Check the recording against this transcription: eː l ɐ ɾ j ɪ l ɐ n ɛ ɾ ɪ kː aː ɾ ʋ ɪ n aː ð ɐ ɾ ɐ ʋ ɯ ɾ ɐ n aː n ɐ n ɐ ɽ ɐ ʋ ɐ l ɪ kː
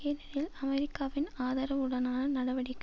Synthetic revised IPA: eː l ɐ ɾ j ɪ l ɐ m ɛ ɾ ɪ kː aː ʋ ɪ n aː ð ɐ ɾ ɐ ʋ ɯ ɽ ɐ n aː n ɐ n ɐ ɽ ɐ ʋ ɐ ɽ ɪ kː